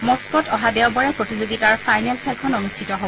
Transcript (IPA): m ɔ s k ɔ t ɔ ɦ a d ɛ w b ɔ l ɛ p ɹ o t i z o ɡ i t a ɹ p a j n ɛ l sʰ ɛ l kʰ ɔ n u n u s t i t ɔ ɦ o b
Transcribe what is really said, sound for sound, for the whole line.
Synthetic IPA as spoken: m ɔ s k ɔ t ɔ ɦ a d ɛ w b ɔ ɹ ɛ p ɹ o t i z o ɡ i t a ɹ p a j n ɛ l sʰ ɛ l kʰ ɔ n o n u s tʰ i t ɔ ɦ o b